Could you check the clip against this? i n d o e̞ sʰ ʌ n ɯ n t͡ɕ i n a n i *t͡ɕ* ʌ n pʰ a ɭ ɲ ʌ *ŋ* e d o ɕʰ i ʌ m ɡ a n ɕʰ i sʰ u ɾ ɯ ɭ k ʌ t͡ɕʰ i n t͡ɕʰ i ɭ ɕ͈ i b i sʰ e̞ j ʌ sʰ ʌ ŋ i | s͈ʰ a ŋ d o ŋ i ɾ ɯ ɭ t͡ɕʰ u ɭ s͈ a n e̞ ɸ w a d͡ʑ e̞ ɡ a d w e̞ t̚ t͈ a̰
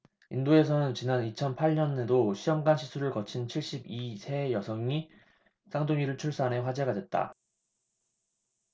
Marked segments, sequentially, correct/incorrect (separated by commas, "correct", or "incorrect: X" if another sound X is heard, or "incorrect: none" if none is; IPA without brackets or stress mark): incorrect: t͡ɕʰ, incorrect: n